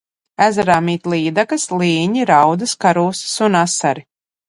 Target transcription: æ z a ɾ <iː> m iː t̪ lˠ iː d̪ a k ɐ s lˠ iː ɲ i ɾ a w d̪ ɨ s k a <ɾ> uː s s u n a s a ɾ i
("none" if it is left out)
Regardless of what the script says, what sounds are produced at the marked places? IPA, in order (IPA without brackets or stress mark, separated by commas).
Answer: aː, ɾ